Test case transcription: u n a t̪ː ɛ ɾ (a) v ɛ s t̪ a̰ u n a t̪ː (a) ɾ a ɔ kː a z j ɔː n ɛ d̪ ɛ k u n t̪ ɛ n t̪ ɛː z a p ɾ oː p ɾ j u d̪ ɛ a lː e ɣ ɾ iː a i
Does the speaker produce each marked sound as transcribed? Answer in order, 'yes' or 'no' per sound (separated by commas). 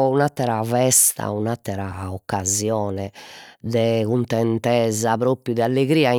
yes, no